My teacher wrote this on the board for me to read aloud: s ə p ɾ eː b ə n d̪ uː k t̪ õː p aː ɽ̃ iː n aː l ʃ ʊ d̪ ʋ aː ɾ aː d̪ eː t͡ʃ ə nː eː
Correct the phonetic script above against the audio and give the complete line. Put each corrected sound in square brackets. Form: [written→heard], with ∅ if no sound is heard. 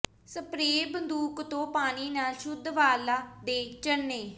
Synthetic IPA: s ə p ɾ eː b ə n d̪ uː k t̪ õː p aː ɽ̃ iː n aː l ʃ ʊ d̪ ʋ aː [ɾ→l] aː d̪ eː t͡ʃ ə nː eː